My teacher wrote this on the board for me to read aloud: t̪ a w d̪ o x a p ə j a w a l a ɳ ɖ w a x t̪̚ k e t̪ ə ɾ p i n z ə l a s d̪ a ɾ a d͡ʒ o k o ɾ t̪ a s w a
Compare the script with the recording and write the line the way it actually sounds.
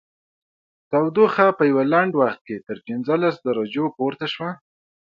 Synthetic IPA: t̪ a w d̪ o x a p ə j a w a l a ɳ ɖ w a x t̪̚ k e t̪ ə ɾ p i n z ə l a s d̪ a ɾ a d͡ʒ o p o ɾ t̪ a ʃ w a